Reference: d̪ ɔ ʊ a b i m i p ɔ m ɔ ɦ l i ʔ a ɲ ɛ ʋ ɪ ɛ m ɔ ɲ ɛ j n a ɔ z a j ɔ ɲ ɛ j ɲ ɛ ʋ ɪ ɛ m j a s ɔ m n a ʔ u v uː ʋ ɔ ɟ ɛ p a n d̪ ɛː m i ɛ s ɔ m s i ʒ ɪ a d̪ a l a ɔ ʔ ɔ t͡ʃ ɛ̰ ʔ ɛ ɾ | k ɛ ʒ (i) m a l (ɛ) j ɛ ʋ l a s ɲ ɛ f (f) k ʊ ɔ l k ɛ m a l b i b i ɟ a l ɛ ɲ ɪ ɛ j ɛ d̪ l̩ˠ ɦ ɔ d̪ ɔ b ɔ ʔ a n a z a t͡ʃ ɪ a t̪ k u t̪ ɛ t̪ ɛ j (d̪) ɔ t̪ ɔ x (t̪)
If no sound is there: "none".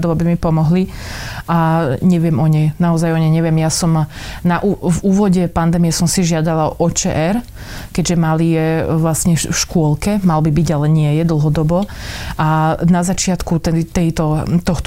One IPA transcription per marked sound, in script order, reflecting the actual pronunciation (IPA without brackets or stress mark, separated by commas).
ɛ, i, ʃ, t̪, t̪